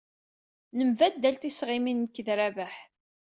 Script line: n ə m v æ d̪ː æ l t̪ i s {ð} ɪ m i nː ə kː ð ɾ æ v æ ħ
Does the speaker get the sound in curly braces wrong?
yes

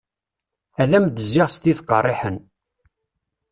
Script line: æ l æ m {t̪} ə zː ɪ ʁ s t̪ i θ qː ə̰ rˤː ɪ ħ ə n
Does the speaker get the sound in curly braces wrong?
yes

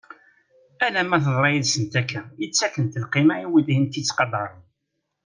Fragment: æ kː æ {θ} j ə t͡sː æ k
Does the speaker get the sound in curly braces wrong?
yes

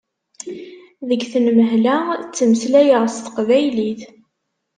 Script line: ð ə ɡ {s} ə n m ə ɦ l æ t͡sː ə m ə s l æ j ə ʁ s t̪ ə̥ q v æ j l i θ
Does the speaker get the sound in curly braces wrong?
yes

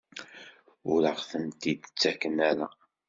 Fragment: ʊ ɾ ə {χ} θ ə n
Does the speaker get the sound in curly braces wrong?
yes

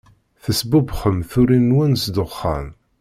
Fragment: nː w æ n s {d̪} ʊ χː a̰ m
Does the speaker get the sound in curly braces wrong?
no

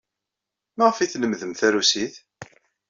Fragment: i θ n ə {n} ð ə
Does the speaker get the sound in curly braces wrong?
yes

